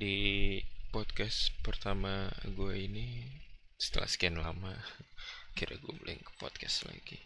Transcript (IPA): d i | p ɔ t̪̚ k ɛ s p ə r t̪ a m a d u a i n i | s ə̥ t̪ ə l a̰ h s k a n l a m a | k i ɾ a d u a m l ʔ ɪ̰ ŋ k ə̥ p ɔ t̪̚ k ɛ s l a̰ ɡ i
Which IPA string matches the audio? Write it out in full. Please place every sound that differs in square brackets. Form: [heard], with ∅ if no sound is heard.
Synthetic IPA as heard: d i | p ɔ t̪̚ k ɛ s p ə r t̪ a m a [ɡ] u a i n i | s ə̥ t̪ ə l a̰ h s k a n l a m a | k i ɾ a [ɡ] u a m l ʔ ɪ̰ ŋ k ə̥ p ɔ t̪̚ k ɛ s l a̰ ɡ i